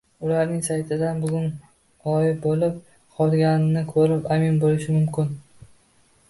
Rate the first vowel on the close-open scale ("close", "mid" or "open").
close